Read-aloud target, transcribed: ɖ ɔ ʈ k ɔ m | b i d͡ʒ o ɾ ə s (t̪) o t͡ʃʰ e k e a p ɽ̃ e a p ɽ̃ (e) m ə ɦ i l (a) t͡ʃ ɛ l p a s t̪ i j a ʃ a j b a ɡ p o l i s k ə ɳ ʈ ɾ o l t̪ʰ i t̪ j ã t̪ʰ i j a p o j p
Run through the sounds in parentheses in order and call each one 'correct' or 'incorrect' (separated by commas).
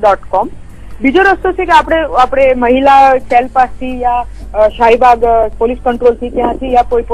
correct, correct, correct